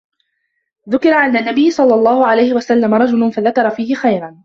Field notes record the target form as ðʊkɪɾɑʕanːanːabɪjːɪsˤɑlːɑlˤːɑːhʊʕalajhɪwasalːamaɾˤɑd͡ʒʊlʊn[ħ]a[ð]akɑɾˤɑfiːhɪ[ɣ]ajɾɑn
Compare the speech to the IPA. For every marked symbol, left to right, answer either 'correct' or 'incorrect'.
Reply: incorrect: f, correct, incorrect: x

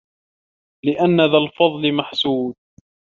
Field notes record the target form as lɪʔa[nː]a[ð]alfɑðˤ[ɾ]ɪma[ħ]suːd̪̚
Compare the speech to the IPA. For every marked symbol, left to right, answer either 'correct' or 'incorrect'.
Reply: correct, correct, incorrect: l, correct

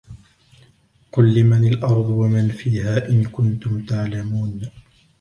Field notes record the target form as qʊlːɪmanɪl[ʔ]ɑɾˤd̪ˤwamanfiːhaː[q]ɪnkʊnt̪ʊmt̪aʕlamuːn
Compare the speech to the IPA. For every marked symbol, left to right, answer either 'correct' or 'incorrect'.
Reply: correct, incorrect: ʔ

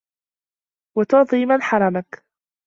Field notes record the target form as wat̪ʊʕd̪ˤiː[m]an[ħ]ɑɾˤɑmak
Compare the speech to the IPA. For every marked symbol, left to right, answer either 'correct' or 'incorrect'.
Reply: correct, correct

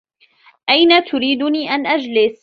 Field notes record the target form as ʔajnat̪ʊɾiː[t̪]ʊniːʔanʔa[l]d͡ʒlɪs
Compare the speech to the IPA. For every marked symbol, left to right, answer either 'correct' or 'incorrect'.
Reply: incorrect: d̪, incorrect: none

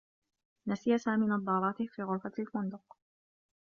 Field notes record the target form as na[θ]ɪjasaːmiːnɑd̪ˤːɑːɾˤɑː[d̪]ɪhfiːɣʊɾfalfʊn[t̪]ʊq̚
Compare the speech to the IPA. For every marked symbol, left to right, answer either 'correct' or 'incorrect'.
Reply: incorrect: s, incorrect: t̪, incorrect: d̪

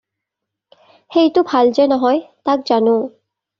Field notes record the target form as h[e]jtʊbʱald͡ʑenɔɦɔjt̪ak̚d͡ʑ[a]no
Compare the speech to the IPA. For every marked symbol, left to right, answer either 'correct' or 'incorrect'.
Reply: correct, correct

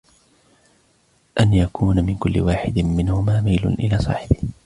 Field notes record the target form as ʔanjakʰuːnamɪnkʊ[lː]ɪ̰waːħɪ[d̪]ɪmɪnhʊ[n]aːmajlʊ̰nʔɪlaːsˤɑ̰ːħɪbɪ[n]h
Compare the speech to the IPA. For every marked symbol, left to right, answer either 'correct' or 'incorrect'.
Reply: correct, correct, incorrect: m, incorrect: none

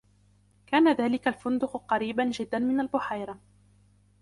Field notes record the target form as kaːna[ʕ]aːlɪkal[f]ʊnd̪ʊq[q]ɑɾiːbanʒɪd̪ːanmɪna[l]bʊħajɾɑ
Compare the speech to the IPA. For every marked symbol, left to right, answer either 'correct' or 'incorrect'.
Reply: incorrect: ð, correct, correct, correct

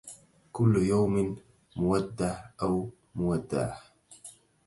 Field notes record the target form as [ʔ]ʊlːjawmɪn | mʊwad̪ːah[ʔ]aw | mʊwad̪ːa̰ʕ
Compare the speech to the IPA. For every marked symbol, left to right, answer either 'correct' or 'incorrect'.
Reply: incorrect: k, correct

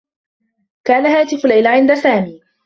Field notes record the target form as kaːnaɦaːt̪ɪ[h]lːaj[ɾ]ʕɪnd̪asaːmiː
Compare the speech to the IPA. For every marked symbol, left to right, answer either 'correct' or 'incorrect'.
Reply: incorrect: f, incorrect: l

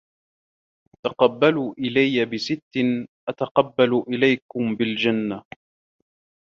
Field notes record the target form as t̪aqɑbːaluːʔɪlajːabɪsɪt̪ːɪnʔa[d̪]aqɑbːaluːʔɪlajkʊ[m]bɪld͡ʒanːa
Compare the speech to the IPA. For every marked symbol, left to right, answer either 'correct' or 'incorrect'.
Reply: incorrect: t̪, correct

